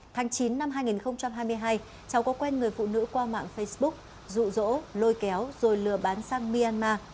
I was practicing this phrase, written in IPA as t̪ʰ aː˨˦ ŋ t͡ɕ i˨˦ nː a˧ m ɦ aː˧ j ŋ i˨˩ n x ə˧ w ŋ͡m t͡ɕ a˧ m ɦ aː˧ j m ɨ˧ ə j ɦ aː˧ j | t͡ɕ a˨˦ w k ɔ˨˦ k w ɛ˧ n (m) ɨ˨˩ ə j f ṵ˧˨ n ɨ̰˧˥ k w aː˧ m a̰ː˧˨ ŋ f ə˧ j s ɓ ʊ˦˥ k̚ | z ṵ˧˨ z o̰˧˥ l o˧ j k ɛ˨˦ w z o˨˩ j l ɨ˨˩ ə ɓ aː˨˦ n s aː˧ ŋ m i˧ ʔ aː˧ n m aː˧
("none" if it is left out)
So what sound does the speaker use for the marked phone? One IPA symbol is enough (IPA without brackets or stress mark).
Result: ŋ